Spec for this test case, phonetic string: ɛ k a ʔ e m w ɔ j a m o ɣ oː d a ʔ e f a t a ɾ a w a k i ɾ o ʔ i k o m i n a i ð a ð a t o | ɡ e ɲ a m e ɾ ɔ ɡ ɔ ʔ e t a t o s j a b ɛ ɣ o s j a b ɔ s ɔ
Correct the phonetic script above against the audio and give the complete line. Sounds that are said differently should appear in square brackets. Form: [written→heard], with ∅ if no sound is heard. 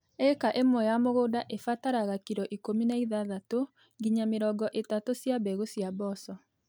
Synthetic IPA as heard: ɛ k a ʔ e m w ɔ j a m o ɣ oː d a ʔ e f a t a ɾ a [w→ɣ] a k i ɾ [o→ɔ] ʔ i k o m i n a i ð a ð a t o | ɡ [e→i] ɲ a m e ɾ ɔ ɡ ɔ ʔ e t a t o s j a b ɛ ɣ o s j a b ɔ s ɔ